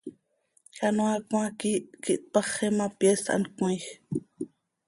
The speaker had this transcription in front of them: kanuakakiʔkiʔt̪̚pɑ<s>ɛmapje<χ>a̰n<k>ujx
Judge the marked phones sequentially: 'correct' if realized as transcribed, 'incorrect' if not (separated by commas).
incorrect, incorrect, correct